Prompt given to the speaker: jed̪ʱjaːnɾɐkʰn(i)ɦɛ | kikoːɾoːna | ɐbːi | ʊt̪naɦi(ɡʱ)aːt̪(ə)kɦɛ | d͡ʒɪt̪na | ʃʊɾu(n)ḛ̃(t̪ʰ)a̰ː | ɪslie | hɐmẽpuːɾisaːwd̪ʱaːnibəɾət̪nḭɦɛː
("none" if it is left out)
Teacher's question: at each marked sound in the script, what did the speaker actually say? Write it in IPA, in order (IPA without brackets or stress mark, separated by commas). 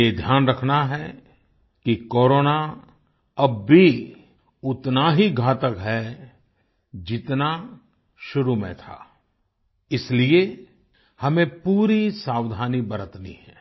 a, ɡʱ, ə, m, t̪ʰ